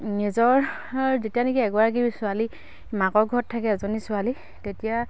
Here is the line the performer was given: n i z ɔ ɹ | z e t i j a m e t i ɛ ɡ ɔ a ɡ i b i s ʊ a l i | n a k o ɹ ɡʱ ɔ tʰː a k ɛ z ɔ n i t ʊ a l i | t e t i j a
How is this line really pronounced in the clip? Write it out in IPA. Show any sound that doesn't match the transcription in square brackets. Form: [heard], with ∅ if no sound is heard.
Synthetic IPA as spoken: n i z ɔ ɹ | z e t i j a [n] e [k] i ɛ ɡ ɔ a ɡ i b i s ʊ a l i | [m] a k [ɔ] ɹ ɡʱ ɔ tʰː a k ɛ z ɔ n i [s] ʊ a l i | t e t i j a